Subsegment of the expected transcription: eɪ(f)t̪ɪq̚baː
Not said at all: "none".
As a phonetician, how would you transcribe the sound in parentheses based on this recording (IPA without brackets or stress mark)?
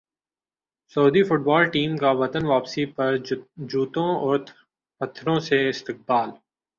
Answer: s